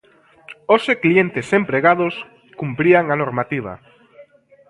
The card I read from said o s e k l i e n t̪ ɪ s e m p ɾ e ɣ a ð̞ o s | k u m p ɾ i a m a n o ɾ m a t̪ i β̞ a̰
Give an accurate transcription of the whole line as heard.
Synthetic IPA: o s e k l i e n t̪ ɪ s e m p ɾ e ɣ a ð̞ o s | k u m p ɾ i a ŋ a n o ɾ m a t̪ i β̞ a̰